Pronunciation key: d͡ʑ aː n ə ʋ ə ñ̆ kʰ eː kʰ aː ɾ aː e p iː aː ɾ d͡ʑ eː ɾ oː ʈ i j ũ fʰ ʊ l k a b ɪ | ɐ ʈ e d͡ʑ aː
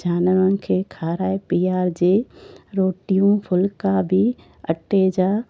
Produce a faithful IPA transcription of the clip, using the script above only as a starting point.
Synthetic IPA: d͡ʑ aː n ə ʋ ə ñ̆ kʰ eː kʰ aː ɾ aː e p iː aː ɾ d͡ʑ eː ɾ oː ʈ i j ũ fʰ ʊ l k a b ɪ | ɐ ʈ e d͡ʑ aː